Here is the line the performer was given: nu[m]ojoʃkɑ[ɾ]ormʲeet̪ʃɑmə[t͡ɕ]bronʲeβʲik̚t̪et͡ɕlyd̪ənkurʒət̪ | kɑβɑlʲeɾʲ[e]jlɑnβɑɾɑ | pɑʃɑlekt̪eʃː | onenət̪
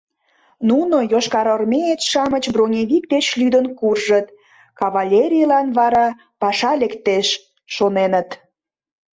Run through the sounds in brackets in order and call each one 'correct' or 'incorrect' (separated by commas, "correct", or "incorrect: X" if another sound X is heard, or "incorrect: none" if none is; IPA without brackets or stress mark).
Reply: incorrect: n, correct, correct, incorrect: i